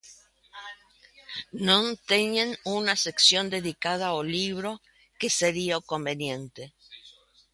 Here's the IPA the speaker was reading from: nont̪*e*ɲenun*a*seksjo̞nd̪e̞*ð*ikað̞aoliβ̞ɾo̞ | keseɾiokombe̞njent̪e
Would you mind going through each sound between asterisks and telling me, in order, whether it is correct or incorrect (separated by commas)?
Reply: correct, correct, correct